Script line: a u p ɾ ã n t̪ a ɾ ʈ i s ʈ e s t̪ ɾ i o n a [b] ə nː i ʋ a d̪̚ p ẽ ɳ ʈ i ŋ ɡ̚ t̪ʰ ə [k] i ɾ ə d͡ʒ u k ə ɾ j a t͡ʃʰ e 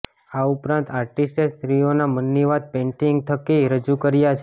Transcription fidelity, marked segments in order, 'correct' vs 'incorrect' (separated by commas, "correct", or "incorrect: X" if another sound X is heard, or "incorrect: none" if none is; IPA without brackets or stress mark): incorrect: m, correct